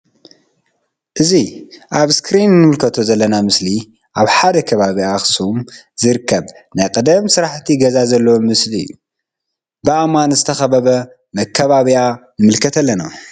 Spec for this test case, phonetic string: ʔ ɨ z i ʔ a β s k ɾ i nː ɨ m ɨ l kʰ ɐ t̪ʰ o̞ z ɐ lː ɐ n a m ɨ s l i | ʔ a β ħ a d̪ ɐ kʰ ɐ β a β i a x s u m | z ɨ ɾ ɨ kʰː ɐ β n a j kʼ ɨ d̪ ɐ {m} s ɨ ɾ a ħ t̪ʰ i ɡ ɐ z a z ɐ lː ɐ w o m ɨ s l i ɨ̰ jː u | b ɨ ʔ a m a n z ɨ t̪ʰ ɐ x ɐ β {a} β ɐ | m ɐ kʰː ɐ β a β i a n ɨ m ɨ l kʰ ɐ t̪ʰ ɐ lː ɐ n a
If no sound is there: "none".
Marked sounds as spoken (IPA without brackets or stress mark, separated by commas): m, ɐ